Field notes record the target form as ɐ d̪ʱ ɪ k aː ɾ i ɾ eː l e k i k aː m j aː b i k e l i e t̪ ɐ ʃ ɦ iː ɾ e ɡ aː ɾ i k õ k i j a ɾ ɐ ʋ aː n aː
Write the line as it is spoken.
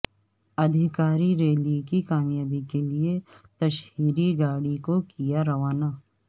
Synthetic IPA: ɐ d̪ʱ ɪ k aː ɾ i ɾ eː l i k i k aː m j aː b i k e l i e t̪ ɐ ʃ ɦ iː ɾ i ɡ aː ɽ i k o k i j a ɾ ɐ ʋ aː n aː